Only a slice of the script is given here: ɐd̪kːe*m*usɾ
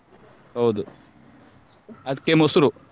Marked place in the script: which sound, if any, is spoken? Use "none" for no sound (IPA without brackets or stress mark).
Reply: m